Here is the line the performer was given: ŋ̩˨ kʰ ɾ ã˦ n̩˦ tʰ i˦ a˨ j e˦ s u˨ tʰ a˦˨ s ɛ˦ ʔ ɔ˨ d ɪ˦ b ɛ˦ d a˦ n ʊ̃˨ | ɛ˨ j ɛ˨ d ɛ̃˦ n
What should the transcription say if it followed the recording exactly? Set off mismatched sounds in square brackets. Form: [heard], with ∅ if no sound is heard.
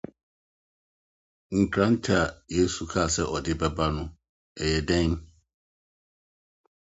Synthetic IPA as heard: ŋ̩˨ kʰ ɾ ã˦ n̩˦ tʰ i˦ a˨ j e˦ s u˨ [kʰ] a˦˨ s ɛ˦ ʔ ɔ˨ d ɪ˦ b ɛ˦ [b] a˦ n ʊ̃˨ | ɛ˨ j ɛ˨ d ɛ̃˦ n